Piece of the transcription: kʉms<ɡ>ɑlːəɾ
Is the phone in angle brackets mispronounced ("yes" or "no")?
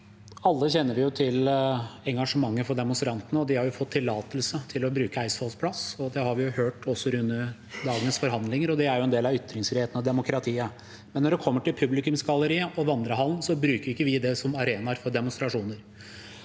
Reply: no